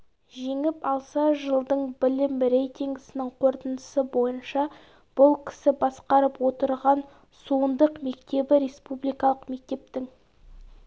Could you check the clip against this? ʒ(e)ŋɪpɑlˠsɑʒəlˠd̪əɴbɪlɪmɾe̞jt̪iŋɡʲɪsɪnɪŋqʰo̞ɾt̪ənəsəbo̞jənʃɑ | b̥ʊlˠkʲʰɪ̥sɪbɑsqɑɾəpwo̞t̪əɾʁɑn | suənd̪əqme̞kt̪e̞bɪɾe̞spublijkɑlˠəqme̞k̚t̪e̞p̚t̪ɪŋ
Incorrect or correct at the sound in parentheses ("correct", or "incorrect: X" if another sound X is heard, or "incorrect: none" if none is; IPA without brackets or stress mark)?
correct